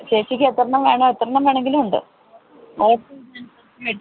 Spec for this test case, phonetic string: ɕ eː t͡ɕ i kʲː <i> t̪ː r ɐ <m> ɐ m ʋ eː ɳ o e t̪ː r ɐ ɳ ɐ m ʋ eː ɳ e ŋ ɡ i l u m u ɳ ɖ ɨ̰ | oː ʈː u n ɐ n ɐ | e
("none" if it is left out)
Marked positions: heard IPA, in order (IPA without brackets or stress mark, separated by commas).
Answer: e, ɳ